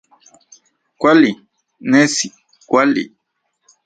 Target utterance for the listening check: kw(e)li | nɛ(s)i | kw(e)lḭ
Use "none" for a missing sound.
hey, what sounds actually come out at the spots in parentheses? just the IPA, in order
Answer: a, s, a

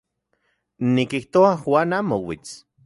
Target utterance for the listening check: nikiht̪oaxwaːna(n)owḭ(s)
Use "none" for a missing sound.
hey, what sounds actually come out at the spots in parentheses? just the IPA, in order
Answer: m, t͡s

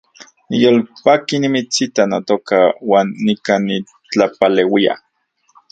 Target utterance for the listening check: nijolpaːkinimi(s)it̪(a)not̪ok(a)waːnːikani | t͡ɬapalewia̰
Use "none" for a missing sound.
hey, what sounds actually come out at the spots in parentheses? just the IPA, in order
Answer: t͡s, a, a

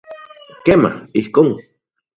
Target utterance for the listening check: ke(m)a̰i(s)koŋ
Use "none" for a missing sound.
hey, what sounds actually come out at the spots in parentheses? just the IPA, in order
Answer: m, h

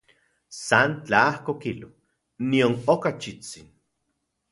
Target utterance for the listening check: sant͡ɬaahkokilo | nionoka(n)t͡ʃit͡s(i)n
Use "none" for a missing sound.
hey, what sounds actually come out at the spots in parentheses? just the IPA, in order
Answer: none, i

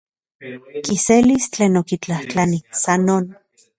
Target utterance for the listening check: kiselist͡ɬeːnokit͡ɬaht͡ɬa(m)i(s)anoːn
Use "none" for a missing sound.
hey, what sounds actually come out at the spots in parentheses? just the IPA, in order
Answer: n, s

